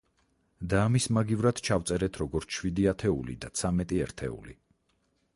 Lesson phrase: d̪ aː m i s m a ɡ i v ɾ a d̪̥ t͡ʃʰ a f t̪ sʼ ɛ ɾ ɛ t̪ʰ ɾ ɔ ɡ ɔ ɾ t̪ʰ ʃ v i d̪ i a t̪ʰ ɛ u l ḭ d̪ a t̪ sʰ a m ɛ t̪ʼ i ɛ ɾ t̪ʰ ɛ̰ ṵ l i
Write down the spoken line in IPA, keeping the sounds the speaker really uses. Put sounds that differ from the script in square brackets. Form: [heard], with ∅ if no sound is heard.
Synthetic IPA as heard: d̪ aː m i s m a ɡ i v ɾ a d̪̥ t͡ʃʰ a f t̪ sʼ ɛ ɾ ɛ t̪ʰ ɾ ɔ ɡ ɔ ɾ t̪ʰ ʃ [w] i d̪ i a t̪ʰ ɛ u l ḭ d̪ a t̪ sʰ a m ɛ t̪ʼ i ɛ ɾ t̪ʰ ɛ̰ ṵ l i

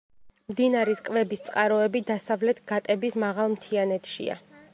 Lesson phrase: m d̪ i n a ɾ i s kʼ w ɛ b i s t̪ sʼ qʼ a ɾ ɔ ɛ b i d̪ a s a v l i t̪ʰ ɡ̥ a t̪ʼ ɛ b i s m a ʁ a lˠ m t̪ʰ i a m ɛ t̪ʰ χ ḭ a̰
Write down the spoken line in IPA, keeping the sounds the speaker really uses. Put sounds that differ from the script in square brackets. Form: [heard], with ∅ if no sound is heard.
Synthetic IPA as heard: m d̪ i n a ɾ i s kʼ [v] ɛ b i s t̪ sʼ qʼ a ɾ ɔ ɛ b i d̪ a s a v l [ɛ] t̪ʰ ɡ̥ a t̪ʼ ɛ b i s m a ʁ a lˠ m t̪ʰ i a [n] ɛ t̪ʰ [ʃ] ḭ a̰

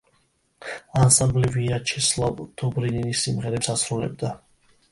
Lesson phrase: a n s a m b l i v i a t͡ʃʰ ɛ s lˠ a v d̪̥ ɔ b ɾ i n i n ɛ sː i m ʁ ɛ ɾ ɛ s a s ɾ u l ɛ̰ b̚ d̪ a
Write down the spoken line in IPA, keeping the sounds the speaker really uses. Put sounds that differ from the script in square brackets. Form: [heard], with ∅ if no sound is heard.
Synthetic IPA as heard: a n s a m b l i v i a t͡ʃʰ ɛ s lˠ a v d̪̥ ɔ b ɾ i n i n [i] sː i m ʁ ɛ ɾ ɛ s a s ɾ u l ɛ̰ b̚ d̪ a

